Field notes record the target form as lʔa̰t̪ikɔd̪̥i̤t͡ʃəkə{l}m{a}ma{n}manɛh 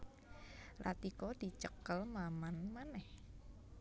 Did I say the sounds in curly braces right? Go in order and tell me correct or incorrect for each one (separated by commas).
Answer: correct, correct, correct